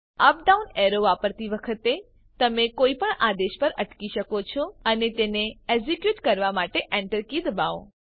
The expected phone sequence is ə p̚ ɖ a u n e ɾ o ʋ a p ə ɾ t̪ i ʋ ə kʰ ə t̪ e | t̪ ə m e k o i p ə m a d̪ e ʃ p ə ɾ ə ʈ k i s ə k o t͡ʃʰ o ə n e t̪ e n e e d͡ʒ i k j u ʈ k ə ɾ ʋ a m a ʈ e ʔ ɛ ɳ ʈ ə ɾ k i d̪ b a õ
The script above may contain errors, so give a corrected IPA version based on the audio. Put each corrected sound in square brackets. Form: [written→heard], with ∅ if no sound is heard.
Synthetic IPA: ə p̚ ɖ a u n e ɾ o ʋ a p ə ɾ t̪ i ʋ ə kʰ ə t̪ e | t̪ ə m e k o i p ə [m→ɳ] a d̪ e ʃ p ə ɾ ə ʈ k i [s→ʃ] ə k o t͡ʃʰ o ə n e t̪ e n e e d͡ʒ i k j u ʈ k ə ɾ ʋ a m a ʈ e ʔ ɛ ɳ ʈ ə ɾ k i d̪ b a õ